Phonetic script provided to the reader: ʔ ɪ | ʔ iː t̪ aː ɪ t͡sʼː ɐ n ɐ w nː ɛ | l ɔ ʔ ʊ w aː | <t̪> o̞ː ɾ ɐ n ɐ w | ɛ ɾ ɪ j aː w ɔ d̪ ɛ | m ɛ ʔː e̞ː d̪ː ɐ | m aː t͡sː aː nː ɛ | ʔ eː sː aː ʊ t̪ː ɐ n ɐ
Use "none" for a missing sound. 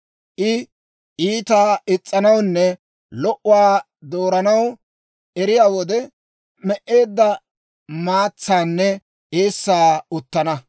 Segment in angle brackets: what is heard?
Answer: d̪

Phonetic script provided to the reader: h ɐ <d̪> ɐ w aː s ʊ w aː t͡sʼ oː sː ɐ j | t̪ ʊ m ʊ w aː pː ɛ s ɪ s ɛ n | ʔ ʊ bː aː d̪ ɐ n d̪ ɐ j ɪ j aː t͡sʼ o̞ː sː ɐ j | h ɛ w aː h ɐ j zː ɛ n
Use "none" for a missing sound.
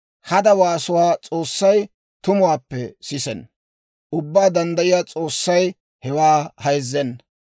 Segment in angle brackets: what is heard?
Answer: d̪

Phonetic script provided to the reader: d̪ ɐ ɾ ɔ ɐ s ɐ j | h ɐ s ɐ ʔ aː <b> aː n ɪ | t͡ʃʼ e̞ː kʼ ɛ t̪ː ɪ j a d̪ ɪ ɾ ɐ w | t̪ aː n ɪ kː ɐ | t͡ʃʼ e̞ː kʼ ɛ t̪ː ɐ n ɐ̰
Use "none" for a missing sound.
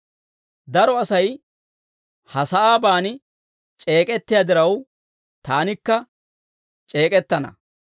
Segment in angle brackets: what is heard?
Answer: b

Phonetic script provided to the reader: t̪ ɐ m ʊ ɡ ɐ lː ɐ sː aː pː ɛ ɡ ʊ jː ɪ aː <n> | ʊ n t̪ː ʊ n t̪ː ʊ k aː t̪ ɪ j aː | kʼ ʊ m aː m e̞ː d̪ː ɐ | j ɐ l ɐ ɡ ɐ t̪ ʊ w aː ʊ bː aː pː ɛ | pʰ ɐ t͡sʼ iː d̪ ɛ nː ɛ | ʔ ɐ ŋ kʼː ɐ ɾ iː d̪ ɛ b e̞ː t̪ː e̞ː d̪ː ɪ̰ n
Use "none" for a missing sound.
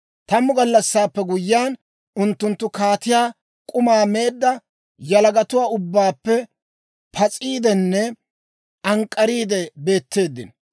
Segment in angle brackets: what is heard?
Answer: n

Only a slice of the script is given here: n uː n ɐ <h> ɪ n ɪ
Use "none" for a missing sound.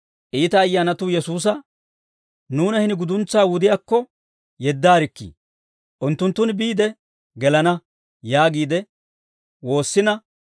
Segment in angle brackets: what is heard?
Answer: h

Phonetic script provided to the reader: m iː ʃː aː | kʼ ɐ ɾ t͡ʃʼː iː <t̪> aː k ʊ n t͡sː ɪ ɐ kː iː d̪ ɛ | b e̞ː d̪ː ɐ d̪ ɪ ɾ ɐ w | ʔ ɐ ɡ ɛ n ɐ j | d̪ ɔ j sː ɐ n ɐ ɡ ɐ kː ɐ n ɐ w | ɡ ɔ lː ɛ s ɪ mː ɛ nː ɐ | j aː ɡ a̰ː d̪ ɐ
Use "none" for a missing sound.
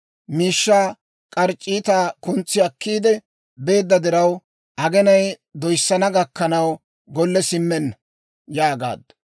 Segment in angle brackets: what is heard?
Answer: t̪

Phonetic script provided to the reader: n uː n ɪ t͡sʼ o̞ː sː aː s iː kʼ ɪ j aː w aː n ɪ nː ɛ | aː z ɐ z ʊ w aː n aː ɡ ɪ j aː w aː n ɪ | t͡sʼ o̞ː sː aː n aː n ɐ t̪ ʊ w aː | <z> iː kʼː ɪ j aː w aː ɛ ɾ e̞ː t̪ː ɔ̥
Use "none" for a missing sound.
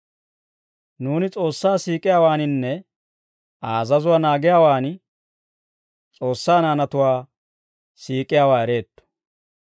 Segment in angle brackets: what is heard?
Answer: s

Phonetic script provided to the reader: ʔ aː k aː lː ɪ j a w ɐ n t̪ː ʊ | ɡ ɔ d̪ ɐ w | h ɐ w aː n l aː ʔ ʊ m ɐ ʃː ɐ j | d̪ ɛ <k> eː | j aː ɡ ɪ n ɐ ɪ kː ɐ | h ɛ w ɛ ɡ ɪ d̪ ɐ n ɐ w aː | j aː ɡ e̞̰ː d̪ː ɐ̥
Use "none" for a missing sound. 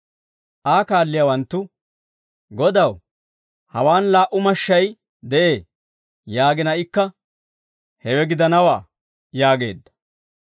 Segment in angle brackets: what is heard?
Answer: ʔ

